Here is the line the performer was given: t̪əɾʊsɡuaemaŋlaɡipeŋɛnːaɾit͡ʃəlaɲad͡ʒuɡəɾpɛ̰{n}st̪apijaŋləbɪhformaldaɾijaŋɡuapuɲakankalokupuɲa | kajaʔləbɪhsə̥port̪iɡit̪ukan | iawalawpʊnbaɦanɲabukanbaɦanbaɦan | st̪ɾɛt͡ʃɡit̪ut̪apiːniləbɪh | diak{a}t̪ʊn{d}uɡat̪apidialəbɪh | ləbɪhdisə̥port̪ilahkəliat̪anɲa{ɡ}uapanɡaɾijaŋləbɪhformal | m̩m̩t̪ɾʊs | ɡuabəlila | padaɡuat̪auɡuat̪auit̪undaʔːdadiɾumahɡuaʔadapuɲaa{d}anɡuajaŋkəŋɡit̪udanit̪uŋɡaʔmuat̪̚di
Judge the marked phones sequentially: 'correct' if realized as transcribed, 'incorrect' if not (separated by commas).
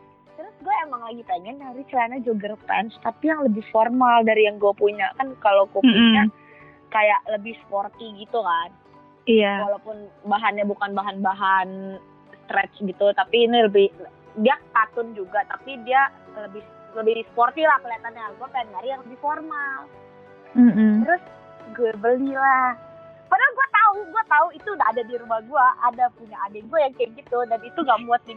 correct, correct, incorrect, correct, correct